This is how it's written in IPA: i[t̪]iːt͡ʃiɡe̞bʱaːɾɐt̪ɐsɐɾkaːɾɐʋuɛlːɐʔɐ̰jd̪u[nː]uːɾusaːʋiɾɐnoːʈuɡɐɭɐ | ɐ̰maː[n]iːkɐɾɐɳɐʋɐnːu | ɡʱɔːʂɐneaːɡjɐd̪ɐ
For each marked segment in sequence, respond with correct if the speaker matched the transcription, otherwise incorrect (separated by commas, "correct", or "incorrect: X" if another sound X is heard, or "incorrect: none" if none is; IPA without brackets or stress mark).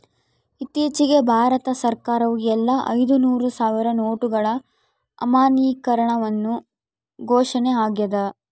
correct, incorrect: n, correct